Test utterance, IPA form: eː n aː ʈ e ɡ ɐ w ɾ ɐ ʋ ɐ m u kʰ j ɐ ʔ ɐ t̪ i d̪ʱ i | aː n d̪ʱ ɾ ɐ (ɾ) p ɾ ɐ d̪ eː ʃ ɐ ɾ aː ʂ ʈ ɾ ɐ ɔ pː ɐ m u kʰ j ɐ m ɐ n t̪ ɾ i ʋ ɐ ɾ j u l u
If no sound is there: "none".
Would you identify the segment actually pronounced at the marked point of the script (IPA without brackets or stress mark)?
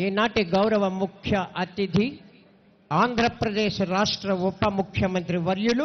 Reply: none